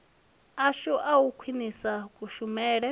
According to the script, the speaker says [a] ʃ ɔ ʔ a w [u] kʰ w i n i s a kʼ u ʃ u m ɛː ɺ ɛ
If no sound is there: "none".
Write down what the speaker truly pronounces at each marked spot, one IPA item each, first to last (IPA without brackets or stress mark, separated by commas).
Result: a, u